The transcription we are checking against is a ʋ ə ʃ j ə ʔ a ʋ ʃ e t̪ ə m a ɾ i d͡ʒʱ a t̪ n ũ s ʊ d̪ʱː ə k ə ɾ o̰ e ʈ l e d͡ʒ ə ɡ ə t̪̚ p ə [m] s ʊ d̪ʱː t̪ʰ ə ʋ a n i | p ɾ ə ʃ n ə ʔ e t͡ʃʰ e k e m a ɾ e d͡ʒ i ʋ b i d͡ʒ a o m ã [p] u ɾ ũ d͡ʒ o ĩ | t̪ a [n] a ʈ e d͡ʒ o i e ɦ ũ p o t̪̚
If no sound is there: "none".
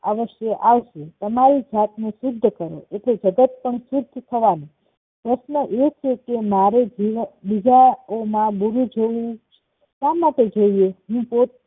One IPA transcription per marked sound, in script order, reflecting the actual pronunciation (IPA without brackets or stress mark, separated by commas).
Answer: ɳ, b, m